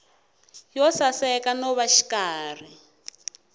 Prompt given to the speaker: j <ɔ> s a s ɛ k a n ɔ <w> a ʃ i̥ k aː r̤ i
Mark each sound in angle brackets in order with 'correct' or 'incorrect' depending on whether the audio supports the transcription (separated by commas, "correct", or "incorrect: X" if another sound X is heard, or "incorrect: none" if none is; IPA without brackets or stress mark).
correct, incorrect: β